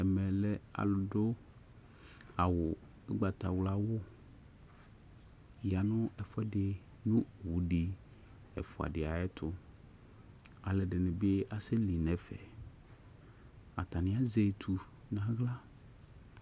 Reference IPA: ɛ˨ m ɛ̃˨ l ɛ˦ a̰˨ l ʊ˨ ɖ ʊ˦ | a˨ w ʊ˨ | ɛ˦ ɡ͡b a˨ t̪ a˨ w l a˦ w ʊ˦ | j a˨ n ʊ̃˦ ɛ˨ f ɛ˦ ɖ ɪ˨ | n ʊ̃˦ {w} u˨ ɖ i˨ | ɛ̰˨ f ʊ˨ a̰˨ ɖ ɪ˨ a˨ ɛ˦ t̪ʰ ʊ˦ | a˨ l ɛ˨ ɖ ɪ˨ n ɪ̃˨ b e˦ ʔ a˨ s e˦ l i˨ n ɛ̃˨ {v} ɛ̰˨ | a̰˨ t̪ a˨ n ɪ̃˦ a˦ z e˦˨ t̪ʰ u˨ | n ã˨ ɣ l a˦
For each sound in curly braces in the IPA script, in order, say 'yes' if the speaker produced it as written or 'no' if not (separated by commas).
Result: yes, no